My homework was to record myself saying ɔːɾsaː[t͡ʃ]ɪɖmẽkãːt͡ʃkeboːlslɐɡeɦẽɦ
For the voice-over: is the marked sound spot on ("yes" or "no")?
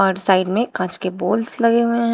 no